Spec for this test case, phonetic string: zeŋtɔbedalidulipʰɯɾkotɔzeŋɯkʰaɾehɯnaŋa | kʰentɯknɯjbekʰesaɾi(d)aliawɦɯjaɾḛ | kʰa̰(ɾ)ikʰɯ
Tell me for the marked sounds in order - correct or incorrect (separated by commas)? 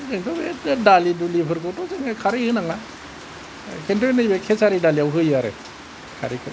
correct, correct